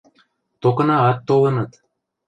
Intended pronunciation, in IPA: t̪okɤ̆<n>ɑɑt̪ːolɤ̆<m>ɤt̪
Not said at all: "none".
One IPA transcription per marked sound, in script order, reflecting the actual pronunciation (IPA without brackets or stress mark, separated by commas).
n, n